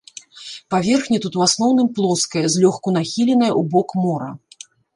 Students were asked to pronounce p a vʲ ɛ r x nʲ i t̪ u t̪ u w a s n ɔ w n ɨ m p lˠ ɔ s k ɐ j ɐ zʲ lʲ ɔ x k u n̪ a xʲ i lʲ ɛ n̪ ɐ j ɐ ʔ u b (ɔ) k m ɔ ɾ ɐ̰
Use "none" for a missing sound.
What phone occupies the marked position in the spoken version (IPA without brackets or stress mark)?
ɔ